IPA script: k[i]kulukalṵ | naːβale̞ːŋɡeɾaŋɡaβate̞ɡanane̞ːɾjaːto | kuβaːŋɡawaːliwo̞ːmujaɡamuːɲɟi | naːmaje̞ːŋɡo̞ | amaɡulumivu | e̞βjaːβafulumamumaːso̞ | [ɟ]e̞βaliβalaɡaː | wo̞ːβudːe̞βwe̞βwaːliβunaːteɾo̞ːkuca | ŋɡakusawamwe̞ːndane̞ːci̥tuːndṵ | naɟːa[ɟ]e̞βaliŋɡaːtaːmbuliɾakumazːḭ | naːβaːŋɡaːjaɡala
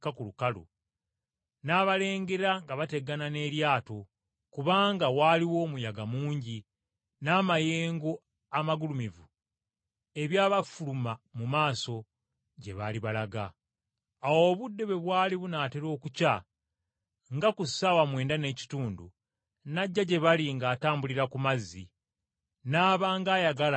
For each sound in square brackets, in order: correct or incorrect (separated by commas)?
incorrect, correct, correct